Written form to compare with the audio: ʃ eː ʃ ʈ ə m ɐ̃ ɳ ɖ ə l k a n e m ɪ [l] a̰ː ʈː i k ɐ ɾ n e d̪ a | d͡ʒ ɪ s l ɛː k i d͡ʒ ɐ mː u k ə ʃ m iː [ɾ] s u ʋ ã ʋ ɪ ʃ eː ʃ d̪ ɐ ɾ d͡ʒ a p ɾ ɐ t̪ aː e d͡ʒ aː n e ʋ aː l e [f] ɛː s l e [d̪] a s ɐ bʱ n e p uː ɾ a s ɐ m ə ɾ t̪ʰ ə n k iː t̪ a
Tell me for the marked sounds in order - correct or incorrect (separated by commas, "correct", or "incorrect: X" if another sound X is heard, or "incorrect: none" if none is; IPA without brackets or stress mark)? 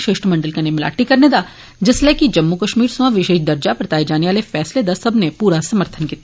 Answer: correct, correct, correct, correct